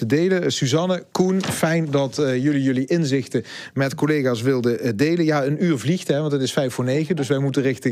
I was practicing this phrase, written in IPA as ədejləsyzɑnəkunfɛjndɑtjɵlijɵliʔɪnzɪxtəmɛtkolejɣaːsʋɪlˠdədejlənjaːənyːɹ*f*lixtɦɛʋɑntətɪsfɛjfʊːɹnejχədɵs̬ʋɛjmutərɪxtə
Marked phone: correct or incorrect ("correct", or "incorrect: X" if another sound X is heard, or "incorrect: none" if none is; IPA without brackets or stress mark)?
incorrect: v